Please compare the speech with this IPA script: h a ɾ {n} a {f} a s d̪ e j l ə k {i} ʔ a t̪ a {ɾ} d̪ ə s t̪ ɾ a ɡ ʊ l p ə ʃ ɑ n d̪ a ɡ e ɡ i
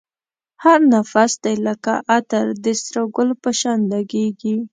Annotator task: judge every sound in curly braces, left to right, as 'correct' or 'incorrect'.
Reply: correct, correct, incorrect, correct

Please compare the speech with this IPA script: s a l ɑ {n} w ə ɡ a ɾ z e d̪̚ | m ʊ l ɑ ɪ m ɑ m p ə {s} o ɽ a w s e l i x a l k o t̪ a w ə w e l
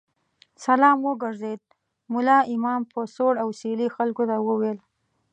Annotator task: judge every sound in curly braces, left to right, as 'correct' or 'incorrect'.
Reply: incorrect, correct

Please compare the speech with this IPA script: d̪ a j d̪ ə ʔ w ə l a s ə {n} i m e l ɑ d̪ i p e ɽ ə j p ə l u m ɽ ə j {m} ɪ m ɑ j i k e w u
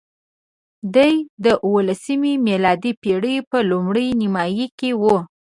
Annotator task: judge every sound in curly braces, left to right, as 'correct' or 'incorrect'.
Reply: incorrect, incorrect

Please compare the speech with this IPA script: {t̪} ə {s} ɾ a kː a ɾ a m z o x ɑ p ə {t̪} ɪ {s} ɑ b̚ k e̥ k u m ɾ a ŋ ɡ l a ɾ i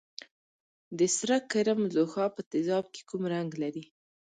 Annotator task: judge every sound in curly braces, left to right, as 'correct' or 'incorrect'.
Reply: incorrect, correct, correct, incorrect

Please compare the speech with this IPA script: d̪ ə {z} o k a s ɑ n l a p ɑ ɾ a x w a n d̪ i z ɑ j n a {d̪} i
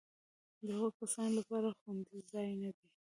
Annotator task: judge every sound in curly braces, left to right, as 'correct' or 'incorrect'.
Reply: incorrect, correct

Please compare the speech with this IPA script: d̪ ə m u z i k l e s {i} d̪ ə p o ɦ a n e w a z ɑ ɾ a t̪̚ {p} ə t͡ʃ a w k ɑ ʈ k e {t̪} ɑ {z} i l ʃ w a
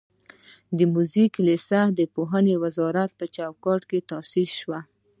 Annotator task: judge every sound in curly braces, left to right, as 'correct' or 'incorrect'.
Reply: incorrect, correct, correct, incorrect

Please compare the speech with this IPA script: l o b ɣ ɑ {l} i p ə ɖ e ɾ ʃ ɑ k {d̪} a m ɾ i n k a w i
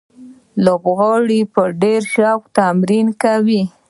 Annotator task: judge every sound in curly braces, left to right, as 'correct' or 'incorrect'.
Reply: incorrect, incorrect

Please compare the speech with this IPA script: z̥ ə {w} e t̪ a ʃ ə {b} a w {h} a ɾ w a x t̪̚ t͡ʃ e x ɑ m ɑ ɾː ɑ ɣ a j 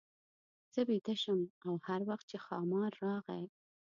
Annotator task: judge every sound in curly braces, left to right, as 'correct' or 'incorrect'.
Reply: incorrect, incorrect, correct

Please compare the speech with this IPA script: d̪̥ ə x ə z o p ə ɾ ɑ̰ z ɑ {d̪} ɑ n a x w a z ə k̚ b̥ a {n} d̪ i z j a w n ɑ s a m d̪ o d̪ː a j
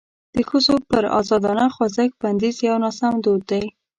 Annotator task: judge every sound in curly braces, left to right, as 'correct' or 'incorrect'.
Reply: correct, correct

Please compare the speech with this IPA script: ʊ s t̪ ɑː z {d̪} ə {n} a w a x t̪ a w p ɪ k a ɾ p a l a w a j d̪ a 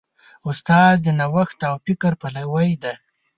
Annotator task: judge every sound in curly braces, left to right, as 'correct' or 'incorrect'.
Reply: correct, correct

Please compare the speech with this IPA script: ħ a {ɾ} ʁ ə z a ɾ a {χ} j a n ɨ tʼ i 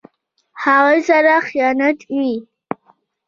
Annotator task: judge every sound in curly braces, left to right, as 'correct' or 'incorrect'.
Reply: incorrect, correct

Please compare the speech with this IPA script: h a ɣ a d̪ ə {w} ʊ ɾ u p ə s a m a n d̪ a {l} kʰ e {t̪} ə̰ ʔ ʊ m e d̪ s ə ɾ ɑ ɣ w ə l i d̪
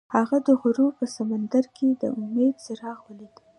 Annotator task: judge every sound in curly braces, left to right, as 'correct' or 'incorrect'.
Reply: incorrect, incorrect, incorrect

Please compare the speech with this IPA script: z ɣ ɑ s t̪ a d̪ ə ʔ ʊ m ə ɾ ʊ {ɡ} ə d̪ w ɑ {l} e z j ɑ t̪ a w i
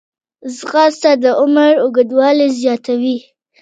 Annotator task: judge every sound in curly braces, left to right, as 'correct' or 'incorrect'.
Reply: correct, correct

